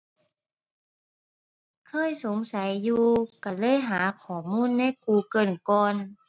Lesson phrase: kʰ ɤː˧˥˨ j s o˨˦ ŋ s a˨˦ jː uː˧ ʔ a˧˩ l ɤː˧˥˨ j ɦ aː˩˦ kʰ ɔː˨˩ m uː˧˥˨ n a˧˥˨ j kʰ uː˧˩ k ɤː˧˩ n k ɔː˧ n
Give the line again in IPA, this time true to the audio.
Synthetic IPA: kʰ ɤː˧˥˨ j s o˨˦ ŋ s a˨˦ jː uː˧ k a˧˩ l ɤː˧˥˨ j ɦ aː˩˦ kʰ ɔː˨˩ m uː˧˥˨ nː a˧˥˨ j k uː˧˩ k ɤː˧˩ n k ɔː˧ n